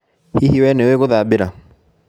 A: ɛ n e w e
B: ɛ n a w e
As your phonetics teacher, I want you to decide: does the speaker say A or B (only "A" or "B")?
A